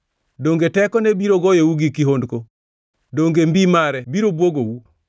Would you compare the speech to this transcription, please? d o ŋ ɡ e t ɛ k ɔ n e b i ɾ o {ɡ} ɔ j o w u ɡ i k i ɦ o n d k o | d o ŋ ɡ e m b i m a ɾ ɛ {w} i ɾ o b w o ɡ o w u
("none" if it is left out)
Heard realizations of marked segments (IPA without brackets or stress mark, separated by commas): ɡ, b